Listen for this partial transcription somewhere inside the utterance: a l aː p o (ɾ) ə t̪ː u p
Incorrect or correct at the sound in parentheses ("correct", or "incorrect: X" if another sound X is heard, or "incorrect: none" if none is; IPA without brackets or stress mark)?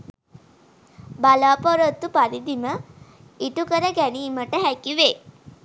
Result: correct